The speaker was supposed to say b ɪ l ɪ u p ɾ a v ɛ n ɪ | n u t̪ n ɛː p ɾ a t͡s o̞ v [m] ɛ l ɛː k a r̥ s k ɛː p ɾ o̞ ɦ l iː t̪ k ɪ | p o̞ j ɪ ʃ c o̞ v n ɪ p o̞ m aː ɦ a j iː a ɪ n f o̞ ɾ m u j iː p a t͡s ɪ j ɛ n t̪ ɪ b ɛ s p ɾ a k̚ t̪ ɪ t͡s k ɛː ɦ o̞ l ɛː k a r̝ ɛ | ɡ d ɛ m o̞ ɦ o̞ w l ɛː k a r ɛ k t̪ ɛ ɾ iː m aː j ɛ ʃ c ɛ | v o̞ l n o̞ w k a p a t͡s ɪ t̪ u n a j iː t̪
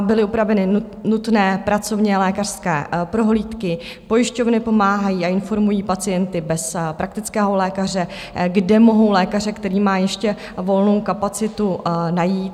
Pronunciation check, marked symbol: incorrect: ɲ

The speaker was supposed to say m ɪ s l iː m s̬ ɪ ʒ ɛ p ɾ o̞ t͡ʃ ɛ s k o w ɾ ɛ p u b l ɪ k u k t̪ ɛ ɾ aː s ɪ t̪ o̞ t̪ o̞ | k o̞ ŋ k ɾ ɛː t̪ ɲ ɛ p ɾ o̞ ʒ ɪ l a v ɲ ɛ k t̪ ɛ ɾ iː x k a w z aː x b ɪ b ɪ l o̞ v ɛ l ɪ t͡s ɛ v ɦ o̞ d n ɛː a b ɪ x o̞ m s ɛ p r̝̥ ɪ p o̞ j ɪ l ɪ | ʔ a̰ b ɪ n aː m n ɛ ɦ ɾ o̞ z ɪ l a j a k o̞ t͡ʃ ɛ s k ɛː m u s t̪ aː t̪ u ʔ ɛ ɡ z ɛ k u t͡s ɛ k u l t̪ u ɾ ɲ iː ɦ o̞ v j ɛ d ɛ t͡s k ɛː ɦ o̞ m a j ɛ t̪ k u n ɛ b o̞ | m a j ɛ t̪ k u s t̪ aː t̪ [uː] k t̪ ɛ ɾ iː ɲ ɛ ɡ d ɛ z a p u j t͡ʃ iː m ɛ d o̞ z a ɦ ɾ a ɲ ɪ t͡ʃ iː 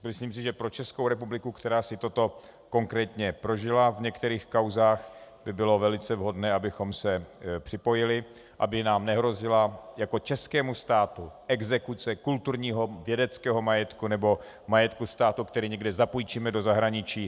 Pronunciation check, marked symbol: incorrect: u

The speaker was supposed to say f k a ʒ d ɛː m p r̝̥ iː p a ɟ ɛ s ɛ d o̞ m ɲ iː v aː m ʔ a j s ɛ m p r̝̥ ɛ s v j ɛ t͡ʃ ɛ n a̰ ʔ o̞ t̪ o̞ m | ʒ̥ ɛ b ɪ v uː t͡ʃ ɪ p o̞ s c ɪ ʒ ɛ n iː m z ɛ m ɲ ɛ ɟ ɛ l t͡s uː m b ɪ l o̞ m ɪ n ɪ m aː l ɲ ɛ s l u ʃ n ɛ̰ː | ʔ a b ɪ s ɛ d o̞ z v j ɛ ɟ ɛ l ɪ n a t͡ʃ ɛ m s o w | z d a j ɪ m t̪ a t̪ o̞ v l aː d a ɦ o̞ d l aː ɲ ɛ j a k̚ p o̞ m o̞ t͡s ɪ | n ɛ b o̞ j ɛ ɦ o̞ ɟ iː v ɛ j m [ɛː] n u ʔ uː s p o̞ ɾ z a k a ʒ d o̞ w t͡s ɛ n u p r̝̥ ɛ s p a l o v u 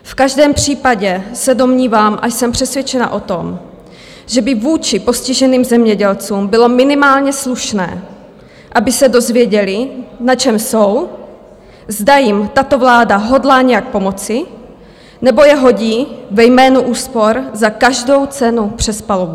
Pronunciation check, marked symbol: correct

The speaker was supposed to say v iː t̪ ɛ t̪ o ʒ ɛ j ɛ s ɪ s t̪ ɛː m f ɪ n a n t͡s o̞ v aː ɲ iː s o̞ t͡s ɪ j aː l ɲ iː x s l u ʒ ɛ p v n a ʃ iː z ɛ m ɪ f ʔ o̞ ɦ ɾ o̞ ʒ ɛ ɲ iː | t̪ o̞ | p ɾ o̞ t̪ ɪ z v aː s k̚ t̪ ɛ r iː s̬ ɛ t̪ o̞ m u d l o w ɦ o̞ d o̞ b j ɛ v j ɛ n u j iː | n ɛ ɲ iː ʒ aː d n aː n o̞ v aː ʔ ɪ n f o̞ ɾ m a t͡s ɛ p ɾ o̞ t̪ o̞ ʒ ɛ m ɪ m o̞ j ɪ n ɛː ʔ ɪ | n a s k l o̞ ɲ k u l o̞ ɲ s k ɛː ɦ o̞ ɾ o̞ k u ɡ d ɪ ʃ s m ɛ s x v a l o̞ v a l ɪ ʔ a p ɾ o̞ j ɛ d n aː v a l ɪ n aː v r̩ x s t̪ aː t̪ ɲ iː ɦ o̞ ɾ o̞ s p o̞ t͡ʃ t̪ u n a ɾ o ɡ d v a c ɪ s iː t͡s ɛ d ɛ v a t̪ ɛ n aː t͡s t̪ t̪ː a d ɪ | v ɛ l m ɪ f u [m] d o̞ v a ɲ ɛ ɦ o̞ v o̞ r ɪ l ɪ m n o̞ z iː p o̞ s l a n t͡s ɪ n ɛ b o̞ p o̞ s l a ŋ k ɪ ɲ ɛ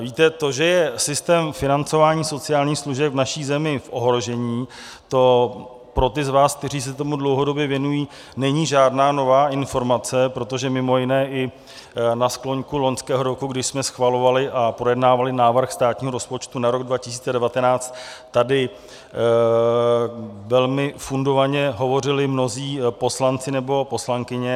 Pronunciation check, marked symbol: incorrect: n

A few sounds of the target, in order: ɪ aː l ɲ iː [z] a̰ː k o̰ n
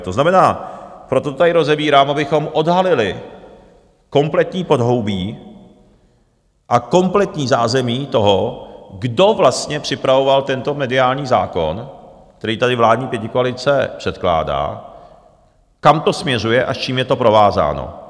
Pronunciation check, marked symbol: correct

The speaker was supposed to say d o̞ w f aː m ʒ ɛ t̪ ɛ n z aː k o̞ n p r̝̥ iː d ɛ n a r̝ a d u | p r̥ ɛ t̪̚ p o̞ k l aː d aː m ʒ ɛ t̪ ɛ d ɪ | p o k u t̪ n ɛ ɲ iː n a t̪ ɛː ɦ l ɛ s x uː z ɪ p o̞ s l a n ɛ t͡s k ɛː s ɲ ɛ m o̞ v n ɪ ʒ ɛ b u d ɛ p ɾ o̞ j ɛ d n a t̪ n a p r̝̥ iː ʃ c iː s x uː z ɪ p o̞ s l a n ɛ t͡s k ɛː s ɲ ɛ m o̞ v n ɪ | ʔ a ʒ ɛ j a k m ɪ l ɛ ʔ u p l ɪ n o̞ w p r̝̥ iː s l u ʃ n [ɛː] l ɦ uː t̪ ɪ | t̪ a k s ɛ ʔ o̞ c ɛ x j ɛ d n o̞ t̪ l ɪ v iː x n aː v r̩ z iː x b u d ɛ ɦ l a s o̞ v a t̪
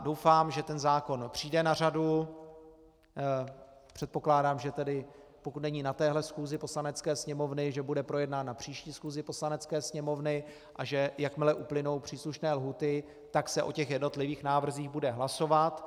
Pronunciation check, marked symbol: correct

